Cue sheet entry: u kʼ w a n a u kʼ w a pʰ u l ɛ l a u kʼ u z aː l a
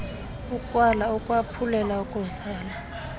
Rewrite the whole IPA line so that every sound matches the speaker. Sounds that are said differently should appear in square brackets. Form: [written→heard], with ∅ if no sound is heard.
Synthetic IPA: u kʼ w a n a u kʼ w a pʰ u l ɛ l a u kʼ u z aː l a

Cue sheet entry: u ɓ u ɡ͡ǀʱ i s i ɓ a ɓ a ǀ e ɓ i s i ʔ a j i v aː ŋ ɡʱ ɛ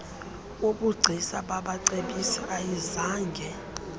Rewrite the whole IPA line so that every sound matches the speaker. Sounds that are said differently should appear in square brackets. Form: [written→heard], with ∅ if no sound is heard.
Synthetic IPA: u ɓ u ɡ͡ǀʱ i s [i→a] ɓ a ɓ a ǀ e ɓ i s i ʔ a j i [v→z] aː ŋ ɡʱ ɛ

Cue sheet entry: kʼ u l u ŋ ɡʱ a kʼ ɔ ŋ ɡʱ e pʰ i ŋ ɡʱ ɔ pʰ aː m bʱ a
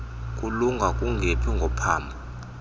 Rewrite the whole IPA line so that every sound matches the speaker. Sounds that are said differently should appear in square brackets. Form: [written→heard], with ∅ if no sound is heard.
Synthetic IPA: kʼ u l u ŋ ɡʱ a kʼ [ɔ→u] ŋ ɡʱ e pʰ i ŋ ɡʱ ɔ pʰ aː m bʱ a

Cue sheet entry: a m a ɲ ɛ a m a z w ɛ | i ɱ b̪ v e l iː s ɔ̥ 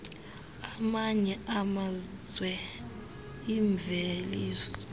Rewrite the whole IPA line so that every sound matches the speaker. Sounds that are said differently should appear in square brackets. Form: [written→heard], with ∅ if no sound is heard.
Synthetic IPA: a m a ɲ ɛ a m a z w ɛ | i ɱ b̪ v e l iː s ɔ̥

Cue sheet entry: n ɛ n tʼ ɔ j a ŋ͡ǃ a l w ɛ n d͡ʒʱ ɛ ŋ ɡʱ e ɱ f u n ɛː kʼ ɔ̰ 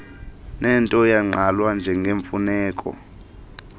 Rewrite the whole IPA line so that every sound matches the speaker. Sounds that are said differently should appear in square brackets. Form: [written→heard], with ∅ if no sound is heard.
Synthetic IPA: n ɛ n tʼ ɔ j a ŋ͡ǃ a l w [ɛ→a] n d͡ʒʱ ɛ ŋ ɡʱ e ɱ f u n ɛː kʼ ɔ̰

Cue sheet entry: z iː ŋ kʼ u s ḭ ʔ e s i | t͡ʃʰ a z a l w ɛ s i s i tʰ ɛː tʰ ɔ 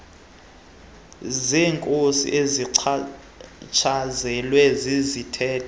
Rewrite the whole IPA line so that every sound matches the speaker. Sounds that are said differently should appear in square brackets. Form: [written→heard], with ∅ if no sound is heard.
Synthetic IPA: z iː ŋ kʼ [u→o] s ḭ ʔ e [s→z] i | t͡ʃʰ a z [a→ɛ] l w ɛ [s→z] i [s→z] i tʰ ɛː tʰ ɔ

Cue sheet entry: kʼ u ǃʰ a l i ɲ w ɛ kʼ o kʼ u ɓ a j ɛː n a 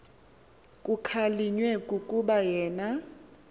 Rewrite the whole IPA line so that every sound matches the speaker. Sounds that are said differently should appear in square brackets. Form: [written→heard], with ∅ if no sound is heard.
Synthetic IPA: kʼ u [ǃʰ→kʰ] a l i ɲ w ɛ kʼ [o→u] kʼ u ɓ a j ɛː n a

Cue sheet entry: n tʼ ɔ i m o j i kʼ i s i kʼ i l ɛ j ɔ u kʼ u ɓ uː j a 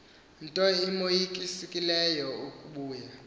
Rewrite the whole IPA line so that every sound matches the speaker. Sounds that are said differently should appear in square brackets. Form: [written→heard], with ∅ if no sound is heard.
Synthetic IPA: n tʼ ɔ i m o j i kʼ i s i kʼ i l ɛ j ɔ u kʼ u ɓ uː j a

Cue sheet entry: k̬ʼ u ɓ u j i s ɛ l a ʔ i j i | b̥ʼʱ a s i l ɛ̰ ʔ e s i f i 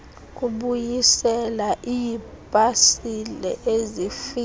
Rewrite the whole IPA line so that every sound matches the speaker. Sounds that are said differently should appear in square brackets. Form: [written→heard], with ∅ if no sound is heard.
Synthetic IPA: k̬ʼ u ɓ u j i s ɛ l a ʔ i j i | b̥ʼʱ a s i l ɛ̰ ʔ e [s→z] i f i

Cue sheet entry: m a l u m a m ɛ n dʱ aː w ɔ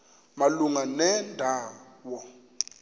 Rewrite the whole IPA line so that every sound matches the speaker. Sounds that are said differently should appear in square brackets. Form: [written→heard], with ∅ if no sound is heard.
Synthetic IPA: m a l u [m→ŋ] a [m→n] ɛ n dʱ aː w ɔ

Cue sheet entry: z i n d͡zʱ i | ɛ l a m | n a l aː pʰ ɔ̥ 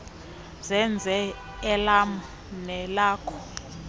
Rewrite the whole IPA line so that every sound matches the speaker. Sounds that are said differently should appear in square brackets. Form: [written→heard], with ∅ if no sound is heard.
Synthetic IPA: z [i→ɛ] n d͡zʱ [i→ɛ] | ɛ l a m | n [a→ɛ] l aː [pʰ→kʰ] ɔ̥

